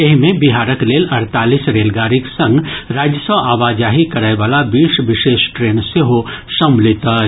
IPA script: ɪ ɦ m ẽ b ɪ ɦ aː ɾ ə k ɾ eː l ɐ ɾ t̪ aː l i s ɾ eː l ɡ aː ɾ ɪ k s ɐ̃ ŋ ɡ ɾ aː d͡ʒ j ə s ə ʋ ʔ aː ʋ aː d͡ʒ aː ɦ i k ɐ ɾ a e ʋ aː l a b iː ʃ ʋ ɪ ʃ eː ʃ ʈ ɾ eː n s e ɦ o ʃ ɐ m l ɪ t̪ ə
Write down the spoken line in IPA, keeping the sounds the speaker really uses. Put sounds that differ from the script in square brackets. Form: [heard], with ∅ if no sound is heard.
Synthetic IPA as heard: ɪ ɦ m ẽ b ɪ ɦ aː ɾ ə k [l] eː l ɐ ɾ t̪ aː l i s ɾ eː l ɡ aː ɾ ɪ k s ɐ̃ ŋ ɡ ɾ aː d͡ʒ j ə s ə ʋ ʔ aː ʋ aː d͡ʒ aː ɦ i k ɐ ɾ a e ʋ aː l a b iː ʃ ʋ ɪ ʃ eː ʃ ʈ ɾ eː n s e ɦ o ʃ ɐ m l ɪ t̪ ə